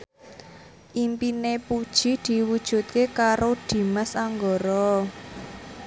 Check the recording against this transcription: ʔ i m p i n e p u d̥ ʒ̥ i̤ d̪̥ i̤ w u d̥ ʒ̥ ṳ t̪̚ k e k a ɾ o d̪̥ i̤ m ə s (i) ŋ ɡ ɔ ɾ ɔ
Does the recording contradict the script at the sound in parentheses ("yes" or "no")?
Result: yes